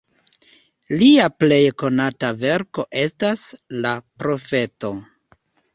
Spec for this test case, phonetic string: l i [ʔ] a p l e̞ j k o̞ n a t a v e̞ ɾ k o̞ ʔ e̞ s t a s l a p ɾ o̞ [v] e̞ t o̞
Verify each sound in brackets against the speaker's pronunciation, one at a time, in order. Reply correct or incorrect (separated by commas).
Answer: incorrect, incorrect